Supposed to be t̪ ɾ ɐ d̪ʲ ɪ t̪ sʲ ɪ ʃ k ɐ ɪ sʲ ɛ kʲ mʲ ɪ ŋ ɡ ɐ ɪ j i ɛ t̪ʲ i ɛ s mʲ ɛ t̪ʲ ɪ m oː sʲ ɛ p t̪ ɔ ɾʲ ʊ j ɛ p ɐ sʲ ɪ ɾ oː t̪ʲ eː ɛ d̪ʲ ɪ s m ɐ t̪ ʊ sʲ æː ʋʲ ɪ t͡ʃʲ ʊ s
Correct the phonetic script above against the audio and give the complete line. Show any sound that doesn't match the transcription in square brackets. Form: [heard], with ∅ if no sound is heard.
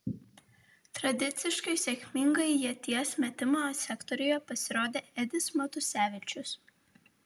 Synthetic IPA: t̪ ɾ ɐ d̪ʲ ɪ t̪ sʲ ɪ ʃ k ɐ ɪ sʲ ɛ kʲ mʲ ɪ ŋ ɡ ɐ ɪ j i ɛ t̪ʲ i ɛ s mʲ ɛ t̪ʲ ɪ m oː sʲ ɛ [k] t̪ ɔ ɾʲ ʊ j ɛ p ɐ sʲ ɪ ɾ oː [d̪ʲ] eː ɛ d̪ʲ ɪ s m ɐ t̪ ʊ sʲ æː ʋʲ ɪ t͡ʃʲ ʊ s